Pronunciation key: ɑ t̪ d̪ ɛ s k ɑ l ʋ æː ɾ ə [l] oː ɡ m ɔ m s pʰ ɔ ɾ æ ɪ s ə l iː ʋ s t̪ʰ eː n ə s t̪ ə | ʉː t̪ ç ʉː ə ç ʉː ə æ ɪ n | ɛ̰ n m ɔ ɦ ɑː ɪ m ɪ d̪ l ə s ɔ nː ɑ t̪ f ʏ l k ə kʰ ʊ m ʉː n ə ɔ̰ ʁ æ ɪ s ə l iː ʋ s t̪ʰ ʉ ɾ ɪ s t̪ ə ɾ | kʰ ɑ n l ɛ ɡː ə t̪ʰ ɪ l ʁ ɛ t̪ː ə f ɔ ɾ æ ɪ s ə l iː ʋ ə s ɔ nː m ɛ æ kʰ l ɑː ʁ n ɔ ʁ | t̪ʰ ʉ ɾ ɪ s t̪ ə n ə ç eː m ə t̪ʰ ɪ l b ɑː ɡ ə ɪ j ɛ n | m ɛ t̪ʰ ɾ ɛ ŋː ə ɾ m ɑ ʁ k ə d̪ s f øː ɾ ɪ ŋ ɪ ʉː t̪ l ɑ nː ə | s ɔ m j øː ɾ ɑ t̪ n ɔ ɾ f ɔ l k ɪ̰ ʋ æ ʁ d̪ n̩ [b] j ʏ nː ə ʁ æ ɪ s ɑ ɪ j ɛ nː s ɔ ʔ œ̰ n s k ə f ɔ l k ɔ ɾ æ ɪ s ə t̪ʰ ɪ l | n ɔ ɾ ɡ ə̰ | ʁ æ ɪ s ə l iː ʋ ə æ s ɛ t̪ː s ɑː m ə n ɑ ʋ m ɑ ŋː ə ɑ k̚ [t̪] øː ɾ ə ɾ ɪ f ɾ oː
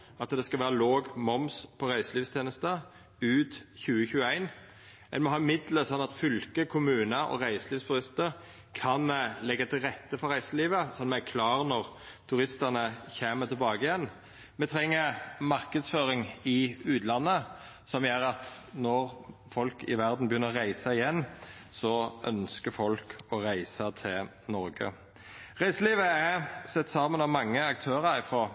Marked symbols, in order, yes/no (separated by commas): yes, yes, no